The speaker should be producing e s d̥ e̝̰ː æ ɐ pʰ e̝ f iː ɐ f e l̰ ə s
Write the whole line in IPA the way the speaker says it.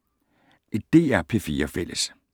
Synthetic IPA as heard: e d̥ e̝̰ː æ ɐ pʰ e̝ f iː ɐ f e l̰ ə s